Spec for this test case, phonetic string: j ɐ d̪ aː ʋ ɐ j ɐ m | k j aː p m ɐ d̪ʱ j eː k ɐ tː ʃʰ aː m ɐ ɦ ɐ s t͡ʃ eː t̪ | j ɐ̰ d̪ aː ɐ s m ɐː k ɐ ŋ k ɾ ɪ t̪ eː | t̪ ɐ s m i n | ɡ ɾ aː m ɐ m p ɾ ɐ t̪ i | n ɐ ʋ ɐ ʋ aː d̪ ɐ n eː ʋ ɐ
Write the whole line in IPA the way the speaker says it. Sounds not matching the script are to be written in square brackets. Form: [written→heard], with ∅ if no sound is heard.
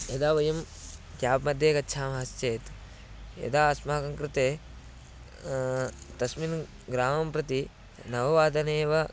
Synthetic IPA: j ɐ d̪ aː ʋ ɐ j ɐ m | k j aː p m ɐ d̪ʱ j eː k ɐ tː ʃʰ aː m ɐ ɦ ɐ s t͡ʃ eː t̪ | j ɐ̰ d̪ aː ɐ s m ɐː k ɐ ŋ k ɾ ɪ t̪ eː | t̪ ɐ s m i n | ɡ ɾ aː m ɐ m p ɾ ɐ t̪ i | n ɐ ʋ ɐ ʋ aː d̪ ɐ n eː ʋ ɐ